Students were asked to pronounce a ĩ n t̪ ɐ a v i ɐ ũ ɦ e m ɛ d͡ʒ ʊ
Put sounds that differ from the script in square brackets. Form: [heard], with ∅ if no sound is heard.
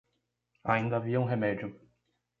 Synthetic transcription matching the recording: a ĩ n [d̪] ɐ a v i ɐ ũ ɦ e m ɛ d͡ʒ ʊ

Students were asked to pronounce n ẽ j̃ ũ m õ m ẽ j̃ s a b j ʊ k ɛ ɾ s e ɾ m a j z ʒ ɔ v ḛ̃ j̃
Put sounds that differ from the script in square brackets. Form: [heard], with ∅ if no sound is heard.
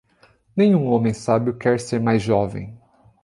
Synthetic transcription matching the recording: n ẽ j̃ ũ [∅] õ m ẽ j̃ s a b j ʊ k ɛ ɾ s e ɾ m a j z ʒ ɔ v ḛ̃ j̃

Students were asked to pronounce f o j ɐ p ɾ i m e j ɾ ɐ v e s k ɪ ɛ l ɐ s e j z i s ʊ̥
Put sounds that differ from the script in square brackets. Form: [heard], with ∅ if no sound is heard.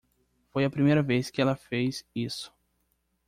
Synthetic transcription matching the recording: f o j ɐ p ɾ i m e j ɾ ɐ v e s k ɪ ɛ l ɐ [f] e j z i s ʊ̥

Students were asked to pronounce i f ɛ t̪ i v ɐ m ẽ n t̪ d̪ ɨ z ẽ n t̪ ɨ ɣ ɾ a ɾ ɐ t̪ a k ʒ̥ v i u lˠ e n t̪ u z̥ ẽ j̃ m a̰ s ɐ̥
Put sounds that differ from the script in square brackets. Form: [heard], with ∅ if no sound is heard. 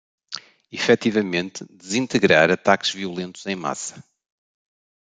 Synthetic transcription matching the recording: i f ɛ t̪ i v ɐ m ẽ n t̪ d̪ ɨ z [ĩ] n t̪ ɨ ɣ ɾ a ɾ ɐ t̪ a k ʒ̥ v i u lˠ [ẽ] n t̪ u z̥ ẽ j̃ m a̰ s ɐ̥

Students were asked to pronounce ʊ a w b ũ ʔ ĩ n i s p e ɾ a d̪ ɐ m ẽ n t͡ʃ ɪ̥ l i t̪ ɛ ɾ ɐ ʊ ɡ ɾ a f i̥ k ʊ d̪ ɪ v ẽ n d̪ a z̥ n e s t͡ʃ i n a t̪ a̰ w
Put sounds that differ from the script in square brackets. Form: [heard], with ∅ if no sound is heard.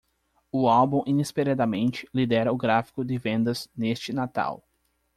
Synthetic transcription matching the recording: ʊ a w b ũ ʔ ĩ n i s p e ɾ a d̪ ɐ m ẽ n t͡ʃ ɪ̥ l i [d̪] ɛ ɾ ɐ ʊ ɡ ɾ a f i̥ k ʊ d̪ ɪ v ẽ n d̪ [ɐ] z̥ n e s t͡ʃ [ɪ] n a t̪ a̰ w

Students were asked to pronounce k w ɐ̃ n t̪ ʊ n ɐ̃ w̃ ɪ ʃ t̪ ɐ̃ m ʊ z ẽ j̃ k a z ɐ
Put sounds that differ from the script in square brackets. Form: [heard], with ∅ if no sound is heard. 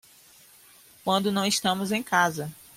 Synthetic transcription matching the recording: k w ɐ̃ n [d̪] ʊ n ɐ̃ w̃ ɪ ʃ t̪ ɐ̃ m ʊ z ẽ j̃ k a z ɐ

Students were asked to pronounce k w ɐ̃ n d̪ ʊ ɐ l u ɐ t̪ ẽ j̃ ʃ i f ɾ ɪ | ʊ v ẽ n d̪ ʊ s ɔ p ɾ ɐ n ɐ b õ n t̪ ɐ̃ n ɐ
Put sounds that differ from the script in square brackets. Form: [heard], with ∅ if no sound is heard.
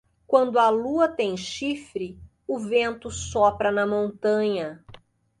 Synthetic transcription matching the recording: k w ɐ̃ n d̪ ʊ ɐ l u ɐ t̪ ẽ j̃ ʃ i f ɾ ɪ | ʊ v ẽ n [t̪] ʊ s ɔ p ɾ ɐ n ɐ [m] õ n t̪ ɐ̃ [ɲ] ɐ

